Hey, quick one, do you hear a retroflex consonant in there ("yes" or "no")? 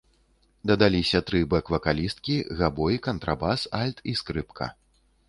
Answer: no